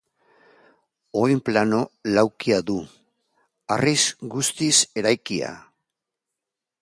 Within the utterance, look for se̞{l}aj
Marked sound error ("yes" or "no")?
yes